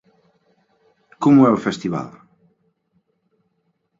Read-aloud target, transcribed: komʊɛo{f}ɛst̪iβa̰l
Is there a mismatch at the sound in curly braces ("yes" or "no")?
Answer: no